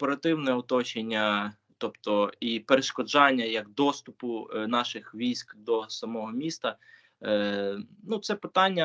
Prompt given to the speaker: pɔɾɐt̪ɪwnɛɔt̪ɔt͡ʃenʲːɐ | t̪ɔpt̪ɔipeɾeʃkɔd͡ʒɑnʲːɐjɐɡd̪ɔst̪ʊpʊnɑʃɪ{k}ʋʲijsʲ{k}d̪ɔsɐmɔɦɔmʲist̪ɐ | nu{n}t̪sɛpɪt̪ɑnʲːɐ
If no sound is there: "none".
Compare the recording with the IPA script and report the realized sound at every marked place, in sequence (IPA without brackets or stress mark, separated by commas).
x, k, none